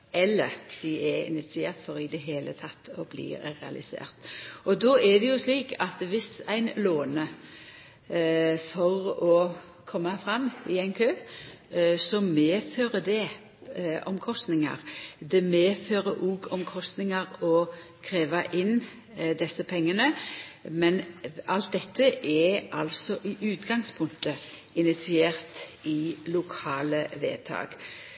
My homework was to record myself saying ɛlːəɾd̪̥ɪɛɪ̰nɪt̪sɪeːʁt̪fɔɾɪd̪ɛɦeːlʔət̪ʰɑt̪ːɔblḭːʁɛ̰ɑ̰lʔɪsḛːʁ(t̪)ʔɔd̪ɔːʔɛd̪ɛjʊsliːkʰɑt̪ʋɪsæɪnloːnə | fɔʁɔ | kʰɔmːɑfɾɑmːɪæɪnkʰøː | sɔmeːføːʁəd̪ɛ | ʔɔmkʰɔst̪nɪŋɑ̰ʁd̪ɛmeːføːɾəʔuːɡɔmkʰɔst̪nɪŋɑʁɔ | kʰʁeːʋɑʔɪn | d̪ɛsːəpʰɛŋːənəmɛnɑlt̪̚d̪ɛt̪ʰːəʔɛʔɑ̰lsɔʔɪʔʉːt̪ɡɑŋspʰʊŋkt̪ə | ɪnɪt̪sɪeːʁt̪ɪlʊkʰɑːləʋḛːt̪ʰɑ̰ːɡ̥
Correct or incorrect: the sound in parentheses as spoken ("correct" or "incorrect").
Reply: correct